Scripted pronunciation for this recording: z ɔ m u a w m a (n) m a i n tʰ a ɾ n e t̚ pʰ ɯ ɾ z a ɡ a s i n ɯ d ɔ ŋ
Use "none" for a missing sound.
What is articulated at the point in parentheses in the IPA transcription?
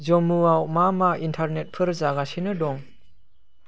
none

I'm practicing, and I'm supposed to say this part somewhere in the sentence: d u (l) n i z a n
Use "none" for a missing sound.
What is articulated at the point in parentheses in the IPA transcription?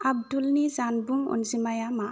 l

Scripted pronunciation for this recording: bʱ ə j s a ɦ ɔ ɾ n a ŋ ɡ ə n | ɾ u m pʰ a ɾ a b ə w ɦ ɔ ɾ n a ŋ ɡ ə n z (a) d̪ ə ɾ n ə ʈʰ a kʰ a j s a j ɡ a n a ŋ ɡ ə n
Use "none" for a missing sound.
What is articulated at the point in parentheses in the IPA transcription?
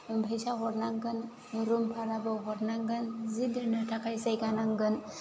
i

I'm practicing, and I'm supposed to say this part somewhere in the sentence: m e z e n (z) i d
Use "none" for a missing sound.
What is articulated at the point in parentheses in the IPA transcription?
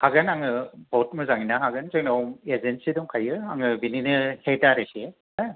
s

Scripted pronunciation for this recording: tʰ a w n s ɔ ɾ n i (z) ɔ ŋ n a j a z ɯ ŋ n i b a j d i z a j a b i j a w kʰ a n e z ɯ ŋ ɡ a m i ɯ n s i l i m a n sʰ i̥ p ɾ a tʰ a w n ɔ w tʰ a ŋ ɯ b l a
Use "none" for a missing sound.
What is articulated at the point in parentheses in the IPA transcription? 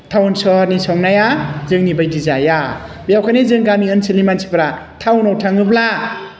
s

